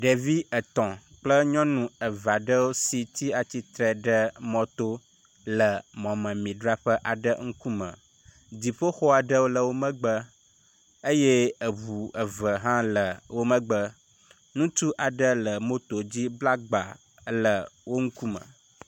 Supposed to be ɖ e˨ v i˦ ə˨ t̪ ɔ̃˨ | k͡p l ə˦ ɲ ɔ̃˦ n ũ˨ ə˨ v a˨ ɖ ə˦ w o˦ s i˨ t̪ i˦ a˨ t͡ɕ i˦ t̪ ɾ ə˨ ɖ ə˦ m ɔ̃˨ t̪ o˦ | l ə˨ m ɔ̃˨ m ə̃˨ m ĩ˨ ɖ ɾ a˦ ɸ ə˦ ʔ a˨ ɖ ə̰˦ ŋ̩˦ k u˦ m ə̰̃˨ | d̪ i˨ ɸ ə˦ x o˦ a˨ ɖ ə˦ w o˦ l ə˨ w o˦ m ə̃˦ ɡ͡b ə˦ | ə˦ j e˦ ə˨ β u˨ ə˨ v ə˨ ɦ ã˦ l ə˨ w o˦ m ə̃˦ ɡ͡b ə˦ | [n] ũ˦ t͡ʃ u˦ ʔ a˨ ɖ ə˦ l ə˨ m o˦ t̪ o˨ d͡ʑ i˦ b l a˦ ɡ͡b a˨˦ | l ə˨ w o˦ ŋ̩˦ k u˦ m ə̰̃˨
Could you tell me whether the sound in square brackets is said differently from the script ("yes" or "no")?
no